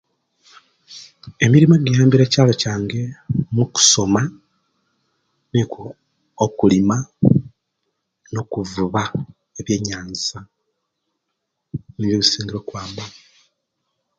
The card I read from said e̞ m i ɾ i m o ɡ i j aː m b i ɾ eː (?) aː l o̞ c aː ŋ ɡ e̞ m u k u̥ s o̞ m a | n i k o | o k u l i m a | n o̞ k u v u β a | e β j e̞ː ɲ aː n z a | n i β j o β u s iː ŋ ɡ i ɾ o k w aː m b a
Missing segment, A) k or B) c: B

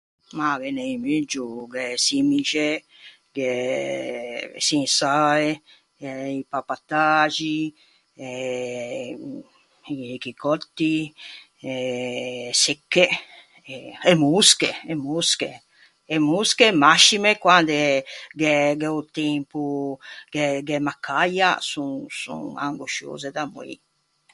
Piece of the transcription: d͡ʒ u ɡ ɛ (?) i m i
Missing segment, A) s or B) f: A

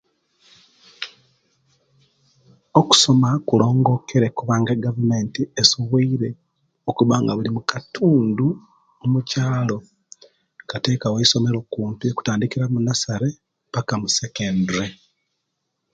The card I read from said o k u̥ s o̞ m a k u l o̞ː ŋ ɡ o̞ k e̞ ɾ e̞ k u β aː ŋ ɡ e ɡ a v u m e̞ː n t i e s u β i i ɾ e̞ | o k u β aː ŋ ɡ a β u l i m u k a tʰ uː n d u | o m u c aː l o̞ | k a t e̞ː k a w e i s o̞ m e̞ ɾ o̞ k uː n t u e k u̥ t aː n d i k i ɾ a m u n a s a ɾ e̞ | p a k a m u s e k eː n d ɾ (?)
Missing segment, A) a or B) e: B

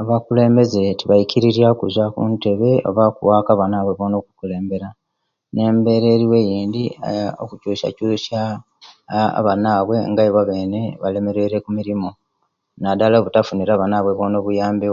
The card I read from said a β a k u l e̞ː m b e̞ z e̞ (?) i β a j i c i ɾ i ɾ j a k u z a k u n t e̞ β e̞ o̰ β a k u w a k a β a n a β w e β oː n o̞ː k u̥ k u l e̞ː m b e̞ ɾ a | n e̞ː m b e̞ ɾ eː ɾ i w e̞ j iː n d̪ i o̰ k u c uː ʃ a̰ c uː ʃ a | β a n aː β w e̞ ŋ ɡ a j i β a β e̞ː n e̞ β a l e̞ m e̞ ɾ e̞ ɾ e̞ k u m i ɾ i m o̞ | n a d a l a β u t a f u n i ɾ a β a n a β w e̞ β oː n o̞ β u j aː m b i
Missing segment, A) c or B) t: B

